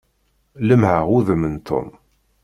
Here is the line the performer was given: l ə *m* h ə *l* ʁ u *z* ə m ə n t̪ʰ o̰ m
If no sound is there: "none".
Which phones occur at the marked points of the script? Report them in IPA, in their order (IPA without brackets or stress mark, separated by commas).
m, none, ð